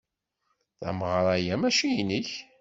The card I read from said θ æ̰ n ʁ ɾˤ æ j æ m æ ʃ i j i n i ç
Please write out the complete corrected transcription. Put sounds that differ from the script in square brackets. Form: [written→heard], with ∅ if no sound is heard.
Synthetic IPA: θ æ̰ [n→m] ʁ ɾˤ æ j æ m æ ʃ i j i n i ç